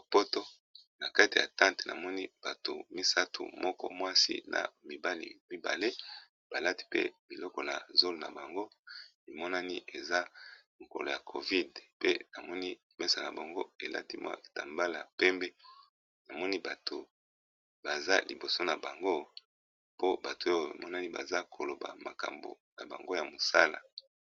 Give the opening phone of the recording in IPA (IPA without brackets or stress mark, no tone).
p